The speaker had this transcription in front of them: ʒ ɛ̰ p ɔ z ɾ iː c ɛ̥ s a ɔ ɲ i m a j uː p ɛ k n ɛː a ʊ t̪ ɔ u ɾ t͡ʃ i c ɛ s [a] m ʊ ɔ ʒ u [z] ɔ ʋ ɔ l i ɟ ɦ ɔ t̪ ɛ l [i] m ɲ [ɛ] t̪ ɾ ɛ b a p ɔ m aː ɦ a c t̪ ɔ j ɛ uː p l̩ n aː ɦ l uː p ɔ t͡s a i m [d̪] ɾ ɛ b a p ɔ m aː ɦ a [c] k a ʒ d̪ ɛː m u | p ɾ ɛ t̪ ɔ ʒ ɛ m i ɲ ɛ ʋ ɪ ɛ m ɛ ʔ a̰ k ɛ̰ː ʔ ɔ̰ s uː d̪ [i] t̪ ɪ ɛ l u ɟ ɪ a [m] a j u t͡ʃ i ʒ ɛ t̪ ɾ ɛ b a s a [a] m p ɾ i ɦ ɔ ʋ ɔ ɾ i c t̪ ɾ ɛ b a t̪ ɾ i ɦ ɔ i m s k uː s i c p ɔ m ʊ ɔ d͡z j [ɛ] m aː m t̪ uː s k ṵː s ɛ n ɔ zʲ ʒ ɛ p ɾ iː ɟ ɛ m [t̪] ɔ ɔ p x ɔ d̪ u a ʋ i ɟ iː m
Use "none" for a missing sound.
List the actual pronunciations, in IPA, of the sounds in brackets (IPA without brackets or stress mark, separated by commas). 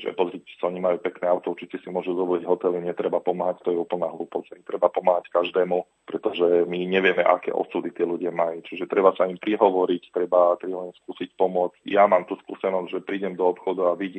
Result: i, z, i, ɛ, t̪, c, i, m, i, a, d̪